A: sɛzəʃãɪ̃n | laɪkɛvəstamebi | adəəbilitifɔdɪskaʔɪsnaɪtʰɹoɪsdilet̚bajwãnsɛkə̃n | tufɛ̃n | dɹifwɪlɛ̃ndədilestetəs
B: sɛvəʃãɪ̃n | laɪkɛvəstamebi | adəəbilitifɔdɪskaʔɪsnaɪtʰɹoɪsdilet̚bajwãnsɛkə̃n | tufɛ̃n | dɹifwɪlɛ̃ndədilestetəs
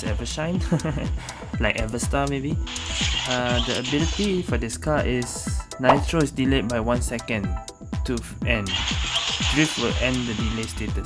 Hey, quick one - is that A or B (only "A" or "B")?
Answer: B